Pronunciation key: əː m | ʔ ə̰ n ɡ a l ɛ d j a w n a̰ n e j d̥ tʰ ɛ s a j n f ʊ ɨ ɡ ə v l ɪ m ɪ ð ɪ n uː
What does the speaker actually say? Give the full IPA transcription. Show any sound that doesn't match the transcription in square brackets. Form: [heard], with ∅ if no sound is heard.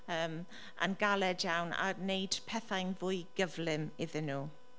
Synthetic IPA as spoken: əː m | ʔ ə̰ n ɡ a l ɛ d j a w n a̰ n e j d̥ [pʰ] ɛ [θ] a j n [v] ʊ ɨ ɡ ə v l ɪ m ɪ ð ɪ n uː